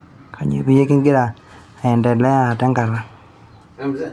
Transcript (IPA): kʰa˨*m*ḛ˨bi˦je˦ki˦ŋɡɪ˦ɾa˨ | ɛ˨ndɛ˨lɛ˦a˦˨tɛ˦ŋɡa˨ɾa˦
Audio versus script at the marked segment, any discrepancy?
yes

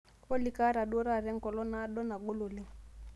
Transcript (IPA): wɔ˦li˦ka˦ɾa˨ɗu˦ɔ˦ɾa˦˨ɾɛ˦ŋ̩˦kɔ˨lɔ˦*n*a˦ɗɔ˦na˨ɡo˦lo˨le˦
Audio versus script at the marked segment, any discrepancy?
no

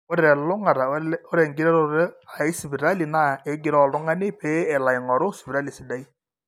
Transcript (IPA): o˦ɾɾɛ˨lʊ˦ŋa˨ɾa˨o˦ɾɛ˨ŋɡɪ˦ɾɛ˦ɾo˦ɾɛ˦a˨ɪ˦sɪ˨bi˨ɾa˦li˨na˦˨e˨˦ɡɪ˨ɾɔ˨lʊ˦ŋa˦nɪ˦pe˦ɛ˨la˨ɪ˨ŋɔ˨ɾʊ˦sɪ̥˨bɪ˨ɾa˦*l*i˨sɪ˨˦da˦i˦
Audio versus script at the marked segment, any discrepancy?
no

